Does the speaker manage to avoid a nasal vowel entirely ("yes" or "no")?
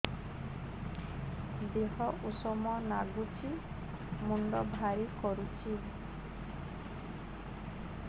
yes